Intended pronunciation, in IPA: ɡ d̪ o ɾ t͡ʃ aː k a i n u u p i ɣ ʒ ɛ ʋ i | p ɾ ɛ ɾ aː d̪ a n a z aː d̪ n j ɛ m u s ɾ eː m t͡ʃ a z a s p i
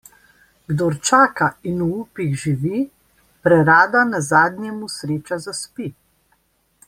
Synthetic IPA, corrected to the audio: ɡ d̪ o ɾ t͡ʃ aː k a i n u u p i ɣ ʒ i ʋ i | p ɾ ɛ ɾ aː d̪ a n a z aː d̪ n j ɛ m u s ɾ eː t͡ʃ a z a s p i